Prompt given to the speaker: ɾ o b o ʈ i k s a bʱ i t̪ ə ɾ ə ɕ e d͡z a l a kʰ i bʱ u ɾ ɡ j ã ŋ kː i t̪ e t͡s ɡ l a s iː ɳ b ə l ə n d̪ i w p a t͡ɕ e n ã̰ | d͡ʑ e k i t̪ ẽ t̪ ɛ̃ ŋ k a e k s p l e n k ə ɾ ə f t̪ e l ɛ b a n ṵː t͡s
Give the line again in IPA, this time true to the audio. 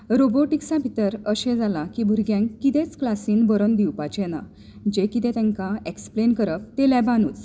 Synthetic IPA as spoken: ɾ o b o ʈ i k s a bʱ i t̪ ə ɾ ə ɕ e d͡z a l a k i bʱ u ɾ ɡ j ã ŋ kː i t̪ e t͡s k l a s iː n b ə ɾ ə n d̪ i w p a t͡ɕ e n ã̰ | d͡ʑ e k i t̪ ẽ t̪ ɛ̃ ŋ k a e k s p l e n k ə ɾ ə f t̪ e l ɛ b a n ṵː t͡s